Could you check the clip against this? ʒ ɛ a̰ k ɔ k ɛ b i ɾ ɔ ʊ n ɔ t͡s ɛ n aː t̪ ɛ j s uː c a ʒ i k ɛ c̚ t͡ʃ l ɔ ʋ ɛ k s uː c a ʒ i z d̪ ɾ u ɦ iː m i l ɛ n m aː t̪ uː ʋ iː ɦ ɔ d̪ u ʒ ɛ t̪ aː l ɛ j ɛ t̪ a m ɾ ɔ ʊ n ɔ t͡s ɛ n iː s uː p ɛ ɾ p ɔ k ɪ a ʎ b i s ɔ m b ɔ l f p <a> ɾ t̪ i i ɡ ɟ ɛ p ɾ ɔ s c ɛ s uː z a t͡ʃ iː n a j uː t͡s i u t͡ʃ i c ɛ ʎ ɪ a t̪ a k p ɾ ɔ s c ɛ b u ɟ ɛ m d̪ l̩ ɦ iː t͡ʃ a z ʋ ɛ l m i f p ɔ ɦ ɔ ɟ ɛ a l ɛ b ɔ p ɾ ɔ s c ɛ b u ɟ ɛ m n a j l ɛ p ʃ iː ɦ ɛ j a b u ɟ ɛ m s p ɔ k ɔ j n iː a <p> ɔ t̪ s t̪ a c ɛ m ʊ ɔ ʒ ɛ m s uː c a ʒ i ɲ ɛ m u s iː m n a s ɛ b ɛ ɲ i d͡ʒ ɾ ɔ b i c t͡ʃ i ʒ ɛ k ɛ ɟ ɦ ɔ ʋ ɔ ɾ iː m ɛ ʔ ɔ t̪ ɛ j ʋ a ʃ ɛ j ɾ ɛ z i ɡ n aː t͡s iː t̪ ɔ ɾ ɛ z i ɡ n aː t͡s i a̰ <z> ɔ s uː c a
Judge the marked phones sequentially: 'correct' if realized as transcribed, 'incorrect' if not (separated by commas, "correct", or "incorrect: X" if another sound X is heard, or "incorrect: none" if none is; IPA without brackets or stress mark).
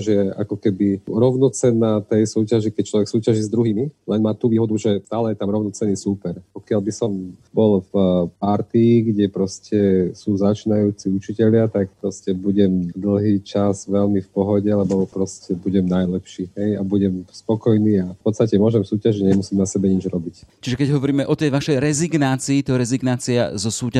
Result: correct, correct, correct